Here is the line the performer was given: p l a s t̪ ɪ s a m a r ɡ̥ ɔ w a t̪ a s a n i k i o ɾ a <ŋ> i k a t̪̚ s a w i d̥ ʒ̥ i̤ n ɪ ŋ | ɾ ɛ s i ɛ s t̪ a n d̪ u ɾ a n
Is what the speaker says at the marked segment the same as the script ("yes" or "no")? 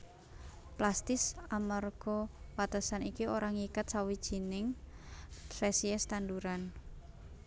yes